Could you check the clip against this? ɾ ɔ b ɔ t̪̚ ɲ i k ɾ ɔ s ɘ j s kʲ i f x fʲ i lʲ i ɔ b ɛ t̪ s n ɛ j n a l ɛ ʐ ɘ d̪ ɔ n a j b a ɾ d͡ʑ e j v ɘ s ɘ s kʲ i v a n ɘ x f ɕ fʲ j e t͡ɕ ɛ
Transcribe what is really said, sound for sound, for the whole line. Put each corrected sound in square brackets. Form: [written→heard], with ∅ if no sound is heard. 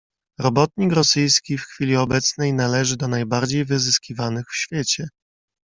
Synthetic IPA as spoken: ɾ ɔ b ɔ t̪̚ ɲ i k ɾ ɔ s ɘ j s kʲ i f x fʲ i lʲ i ɔ b ɛ t̪ s n ɛ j n a l ɛ ʐ ɘ d̪ ɔ n a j b a ɾ d͡ʑ e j v ɘ [s→z] ɘ s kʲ i v a n ɘ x f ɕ fʲ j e t͡ɕ ɛ